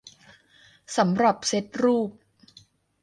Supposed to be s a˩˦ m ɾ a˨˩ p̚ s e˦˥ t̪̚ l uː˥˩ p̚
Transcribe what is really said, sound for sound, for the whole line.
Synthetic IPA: s a˩˦ m ɾ a˨˩ p̚ s e˦˥ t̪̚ ɾ uː˥˩ p̚

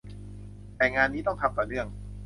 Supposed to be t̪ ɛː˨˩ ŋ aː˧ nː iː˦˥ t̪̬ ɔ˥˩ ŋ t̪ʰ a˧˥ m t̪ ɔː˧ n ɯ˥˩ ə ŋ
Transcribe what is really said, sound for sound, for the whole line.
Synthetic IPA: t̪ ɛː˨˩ ŋ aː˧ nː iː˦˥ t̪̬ ɔ˥˩ ŋ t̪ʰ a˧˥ m t̪ ɔː˨˩ n ɯ˥˩ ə ŋ

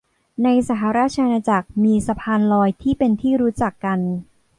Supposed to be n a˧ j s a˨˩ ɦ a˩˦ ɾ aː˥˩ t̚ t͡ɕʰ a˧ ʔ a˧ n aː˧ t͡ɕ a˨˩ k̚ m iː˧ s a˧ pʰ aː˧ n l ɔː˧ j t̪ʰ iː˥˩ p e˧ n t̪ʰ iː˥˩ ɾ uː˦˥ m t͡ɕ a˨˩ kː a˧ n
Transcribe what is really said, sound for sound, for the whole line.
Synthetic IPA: n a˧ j s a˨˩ ɦ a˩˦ ɾ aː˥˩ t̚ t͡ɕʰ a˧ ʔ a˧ n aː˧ t͡ɕ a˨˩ k̚ m iː˧ s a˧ pʰ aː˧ n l ɔː˧ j t̪ʰ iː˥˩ p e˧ n t̪ʰ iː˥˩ ɾ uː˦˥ t͡ɕ a˨˩ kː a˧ n

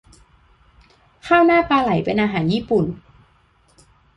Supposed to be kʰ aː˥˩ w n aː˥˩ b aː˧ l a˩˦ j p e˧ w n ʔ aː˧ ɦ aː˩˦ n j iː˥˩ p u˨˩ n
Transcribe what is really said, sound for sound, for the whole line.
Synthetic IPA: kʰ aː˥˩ w n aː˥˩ p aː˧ l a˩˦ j p e˧ n ʔ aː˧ ɦ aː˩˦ n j iː˥˩ p u˨˩ n

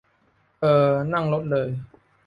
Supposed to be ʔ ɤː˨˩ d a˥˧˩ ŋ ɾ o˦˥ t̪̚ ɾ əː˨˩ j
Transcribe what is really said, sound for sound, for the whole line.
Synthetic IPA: ʔ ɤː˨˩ n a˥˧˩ ŋ l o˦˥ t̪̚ l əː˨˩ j

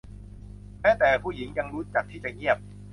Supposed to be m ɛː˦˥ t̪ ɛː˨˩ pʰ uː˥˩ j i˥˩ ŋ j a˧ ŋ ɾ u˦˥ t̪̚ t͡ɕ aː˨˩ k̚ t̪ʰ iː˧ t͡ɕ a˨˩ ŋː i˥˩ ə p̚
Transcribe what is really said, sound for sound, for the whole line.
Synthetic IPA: m ɛː˦˥ t̪ ɛː˨˩ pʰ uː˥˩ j i˩˦ ŋ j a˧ ŋ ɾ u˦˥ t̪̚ t͡ɕ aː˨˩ k̚ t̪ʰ iː˥˩ t͡ɕ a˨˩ ŋ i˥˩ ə p̚

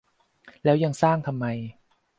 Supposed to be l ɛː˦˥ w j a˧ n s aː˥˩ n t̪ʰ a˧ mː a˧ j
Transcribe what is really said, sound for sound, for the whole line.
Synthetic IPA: l ɛː˦˥ w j a˧ ŋ s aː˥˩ ŋ t̪ʰ a˧ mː a˧ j

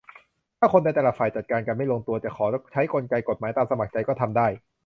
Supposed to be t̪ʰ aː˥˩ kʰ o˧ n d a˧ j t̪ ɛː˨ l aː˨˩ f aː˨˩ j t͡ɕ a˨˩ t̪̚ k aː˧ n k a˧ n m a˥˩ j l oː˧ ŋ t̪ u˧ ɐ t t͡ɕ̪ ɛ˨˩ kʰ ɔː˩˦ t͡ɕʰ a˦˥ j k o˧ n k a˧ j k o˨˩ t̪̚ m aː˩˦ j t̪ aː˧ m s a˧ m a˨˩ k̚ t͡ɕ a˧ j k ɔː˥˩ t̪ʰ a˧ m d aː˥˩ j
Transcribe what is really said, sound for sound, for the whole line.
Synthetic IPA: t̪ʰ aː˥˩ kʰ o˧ n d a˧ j t̪ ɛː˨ l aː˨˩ f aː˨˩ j t͡ɕ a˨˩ t̪̚ k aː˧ n k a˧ n m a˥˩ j l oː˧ ŋ t̪ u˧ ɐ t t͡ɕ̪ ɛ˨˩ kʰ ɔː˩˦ t͡ɕʰ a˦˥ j k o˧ n k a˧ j k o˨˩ t̪̚ m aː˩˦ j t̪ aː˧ m s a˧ m a˨˩ k̚ t͡ɕ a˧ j k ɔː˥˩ t̪ʰ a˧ m d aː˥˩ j

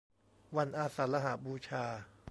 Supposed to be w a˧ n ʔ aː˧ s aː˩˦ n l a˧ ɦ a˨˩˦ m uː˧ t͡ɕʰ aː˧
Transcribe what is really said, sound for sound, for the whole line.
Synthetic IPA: w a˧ n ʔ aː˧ s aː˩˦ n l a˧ ɦ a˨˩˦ b uː˧ t͡ɕʰ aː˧

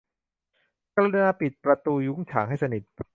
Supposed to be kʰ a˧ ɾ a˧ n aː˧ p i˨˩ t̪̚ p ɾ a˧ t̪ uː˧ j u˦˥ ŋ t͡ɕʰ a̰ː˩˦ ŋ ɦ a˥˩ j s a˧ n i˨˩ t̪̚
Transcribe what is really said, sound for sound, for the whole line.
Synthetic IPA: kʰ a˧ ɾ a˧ n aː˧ p i˨˩ t̪̚ p ɾ a˧ t̪ uː˧ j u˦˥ ŋ t͡ɕʰ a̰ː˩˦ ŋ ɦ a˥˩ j s a˧ n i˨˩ t̪̚

